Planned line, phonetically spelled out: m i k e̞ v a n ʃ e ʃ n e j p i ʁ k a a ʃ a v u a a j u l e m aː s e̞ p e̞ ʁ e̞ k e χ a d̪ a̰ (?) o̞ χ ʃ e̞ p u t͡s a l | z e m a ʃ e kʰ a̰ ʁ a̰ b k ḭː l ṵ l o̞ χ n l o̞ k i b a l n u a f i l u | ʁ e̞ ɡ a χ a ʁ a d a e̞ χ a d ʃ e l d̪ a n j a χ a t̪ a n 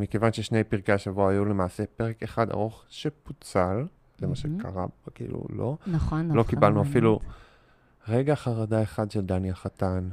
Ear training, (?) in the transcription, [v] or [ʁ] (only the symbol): ʁ